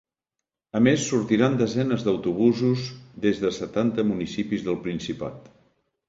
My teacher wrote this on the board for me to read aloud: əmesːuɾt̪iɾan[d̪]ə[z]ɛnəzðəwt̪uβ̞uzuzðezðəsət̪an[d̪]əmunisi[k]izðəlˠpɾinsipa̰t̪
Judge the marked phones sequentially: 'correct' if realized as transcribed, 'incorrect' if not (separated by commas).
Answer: correct, correct, incorrect, incorrect